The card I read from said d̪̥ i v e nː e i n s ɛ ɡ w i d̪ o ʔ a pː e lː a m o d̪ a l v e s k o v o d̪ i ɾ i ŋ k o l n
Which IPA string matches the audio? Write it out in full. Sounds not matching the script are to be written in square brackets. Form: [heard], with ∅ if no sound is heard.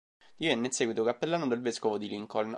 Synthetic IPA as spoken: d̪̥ i v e nː e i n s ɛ ɡ w i [t̪] o [k] a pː e lː a [n] o d̪ [e] l v e s k o v o d̪ i [l] i ŋ k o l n